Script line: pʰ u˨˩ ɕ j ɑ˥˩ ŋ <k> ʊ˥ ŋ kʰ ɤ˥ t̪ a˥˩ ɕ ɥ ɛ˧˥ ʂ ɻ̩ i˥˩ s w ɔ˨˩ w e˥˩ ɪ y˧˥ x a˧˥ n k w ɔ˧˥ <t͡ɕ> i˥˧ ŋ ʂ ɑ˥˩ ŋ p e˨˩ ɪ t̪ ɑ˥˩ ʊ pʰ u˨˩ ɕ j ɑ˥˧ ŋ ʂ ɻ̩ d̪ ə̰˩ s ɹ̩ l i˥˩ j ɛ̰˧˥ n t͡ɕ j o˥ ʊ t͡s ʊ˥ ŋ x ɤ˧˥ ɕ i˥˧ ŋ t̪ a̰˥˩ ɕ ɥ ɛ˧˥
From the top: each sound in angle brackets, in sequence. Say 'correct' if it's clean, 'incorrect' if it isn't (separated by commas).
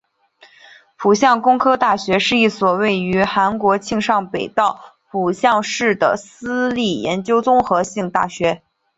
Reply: correct, incorrect